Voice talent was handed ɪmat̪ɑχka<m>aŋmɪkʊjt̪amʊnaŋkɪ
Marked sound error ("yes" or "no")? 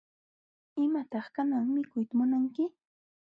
yes